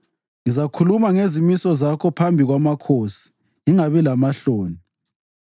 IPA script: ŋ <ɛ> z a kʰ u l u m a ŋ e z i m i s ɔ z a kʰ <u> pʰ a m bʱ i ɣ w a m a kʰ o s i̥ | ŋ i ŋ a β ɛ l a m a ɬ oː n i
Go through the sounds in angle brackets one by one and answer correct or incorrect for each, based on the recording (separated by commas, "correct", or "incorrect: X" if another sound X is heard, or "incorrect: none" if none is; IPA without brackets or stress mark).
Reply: incorrect: i, incorrect: ɔ